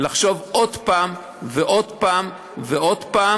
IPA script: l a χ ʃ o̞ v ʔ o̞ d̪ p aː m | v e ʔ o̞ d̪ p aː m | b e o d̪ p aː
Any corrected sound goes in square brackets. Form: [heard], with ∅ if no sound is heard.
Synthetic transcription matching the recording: l a χ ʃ o̞ v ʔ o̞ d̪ p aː m | v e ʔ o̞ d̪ p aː m | [v] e o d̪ p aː